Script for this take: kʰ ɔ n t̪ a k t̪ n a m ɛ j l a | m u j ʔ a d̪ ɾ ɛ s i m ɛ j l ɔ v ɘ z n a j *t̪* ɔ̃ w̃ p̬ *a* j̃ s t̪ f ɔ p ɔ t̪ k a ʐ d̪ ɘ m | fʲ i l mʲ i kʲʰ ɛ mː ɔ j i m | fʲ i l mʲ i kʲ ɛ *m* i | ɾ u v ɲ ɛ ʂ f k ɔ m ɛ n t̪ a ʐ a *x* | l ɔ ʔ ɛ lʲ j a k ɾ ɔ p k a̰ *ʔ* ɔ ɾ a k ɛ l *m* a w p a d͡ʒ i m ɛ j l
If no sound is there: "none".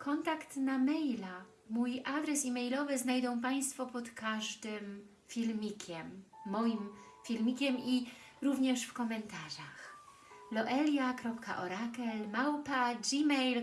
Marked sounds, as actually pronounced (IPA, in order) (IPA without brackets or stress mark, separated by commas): d̪, a, m, x, ʔ, m